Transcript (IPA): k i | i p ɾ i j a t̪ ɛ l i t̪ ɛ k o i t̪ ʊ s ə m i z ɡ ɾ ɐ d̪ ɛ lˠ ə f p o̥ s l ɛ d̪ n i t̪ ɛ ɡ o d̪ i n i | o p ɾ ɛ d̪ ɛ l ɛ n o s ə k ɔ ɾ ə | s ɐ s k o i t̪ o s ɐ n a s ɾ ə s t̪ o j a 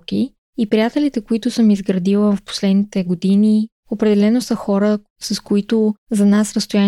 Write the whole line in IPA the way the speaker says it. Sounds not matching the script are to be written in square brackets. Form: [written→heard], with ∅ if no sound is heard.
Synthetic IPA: k i | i p ɾ i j a t̪ ɛ l i t̪ ɛ k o i t̪ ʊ s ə m i z ɡ ɾ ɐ d̪ [ɛ→i] lˠ ə f p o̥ s l ɛ d̪ n i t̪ ɛ ɡ o d̪ i n i | o p ɾ ɛ d̪ ɛ l ɛ n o s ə [k→x] ɔ ɾ ə | s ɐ s k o i t̪ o [s→z] ɐ n a s ɾ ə s t̪ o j a